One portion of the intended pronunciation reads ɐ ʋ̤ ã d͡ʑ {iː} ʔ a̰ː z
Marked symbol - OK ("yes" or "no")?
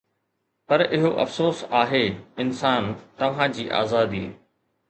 yes